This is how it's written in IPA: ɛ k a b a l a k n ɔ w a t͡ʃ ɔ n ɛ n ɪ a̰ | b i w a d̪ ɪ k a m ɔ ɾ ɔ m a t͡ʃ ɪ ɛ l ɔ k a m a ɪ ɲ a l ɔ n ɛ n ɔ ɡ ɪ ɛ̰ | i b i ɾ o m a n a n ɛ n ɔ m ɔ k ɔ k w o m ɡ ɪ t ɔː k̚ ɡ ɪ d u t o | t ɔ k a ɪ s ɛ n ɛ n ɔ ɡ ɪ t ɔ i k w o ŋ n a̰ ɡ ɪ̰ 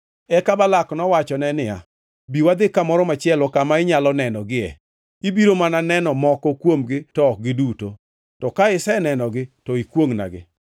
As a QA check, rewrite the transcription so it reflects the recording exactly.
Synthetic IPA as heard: ɛ k a b a l a k n ɔ w a t͡ʃ ɔ n ɛ n ɪ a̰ | b i w a d̪ ɪ k a m ɔ ɾ ɔ m a t͡ʃ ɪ ɛ l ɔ k a m a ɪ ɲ a l ɔ n ɛ n ɔ ɡ ɪ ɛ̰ | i b i ɾ o m a n a n ɛ n ɔ m ɔ k ɔ k w o m ɡ ɪ t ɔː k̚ ɡ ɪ d u t o | t ɔ k a ɪ s ɛ n ɛ n ɔ ɡ ɪ t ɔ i k w o ŋ n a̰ ɡ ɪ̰